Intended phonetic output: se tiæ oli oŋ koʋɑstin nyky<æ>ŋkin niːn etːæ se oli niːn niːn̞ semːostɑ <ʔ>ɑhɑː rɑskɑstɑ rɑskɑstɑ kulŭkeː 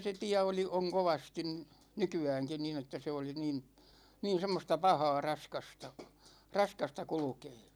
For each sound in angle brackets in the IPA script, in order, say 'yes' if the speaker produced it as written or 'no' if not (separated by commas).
no, no